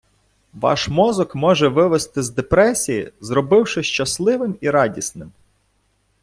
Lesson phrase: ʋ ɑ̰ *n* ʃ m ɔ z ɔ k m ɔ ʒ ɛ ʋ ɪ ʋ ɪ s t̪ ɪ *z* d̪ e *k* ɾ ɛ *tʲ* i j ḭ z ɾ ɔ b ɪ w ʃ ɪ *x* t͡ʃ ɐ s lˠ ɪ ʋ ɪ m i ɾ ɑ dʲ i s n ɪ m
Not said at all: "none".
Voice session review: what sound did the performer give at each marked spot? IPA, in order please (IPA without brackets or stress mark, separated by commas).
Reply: none, z, p, sʲ, ʃ